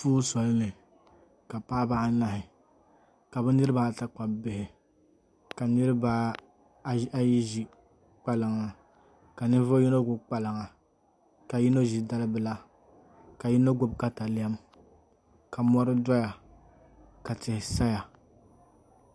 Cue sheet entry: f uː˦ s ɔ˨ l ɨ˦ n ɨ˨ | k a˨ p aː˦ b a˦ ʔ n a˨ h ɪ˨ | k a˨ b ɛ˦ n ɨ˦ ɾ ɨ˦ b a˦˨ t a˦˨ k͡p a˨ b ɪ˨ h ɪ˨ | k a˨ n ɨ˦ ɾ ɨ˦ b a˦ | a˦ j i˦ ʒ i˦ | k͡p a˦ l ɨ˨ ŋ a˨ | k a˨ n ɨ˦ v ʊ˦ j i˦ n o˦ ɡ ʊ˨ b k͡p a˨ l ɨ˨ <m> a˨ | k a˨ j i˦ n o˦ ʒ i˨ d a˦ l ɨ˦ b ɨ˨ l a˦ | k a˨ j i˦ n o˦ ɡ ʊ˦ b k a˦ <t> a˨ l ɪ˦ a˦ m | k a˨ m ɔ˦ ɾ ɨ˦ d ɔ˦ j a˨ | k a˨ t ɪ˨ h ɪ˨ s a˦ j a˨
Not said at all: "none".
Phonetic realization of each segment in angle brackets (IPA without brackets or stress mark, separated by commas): ŋ, t